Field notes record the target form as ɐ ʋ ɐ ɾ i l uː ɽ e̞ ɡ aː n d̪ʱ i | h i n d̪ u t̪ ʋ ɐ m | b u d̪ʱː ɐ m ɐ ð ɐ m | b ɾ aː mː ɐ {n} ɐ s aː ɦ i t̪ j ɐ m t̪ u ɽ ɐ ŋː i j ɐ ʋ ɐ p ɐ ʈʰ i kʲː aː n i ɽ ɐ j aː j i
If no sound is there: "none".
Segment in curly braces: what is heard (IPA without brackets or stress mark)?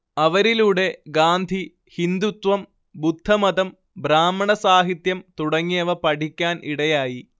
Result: ɳ